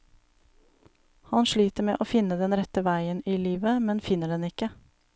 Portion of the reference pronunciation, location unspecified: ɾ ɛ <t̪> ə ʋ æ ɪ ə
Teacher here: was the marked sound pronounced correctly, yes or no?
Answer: yes